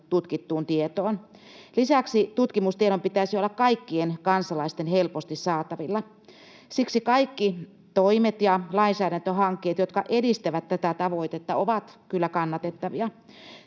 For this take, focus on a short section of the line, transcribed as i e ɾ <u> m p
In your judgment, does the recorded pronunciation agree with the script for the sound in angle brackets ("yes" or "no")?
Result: no